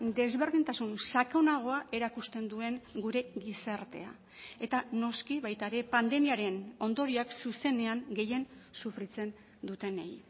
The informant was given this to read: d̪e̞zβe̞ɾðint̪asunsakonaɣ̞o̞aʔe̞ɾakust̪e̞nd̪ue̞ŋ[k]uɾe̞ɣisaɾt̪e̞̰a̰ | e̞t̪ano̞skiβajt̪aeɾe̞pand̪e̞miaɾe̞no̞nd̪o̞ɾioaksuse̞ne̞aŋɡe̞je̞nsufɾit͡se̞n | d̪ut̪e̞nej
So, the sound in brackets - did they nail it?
no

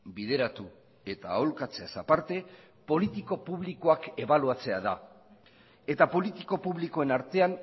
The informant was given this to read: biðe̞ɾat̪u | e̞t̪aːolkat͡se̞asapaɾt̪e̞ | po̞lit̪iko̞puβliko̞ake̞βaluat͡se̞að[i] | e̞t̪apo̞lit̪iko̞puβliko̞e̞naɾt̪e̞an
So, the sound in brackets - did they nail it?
no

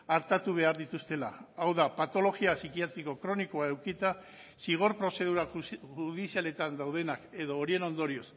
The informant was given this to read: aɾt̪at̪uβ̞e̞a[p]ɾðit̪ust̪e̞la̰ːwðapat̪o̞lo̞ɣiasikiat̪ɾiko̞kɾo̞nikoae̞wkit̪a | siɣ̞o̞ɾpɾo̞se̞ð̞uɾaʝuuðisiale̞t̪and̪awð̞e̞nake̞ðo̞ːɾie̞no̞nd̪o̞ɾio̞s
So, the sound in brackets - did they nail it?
no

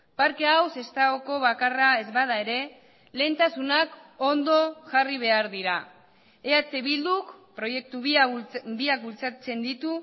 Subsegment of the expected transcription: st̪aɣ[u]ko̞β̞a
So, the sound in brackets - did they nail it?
no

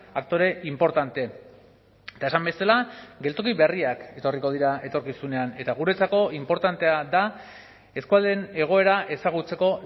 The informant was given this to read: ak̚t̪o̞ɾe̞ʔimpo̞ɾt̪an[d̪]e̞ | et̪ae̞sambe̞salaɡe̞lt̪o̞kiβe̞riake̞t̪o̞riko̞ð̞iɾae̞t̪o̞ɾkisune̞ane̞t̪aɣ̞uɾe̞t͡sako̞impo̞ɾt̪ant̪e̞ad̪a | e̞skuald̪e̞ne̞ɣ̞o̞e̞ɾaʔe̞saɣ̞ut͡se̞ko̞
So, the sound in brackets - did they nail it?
no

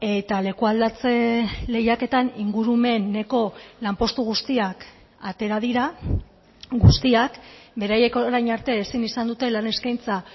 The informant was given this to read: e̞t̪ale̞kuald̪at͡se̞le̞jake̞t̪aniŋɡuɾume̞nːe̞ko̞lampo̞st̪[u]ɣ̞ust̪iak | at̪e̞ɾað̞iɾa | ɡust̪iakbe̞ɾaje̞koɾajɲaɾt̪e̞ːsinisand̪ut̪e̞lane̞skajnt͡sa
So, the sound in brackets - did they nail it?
yes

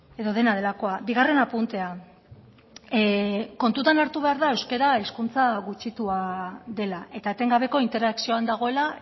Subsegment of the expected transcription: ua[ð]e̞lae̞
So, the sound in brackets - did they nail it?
yes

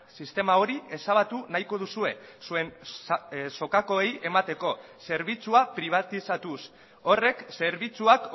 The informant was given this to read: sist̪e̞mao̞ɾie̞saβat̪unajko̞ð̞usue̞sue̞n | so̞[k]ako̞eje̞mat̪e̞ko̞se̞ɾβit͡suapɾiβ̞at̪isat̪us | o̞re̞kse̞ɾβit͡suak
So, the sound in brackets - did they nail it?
yes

